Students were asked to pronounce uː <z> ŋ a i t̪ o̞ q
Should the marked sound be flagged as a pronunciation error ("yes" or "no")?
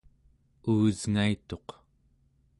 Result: no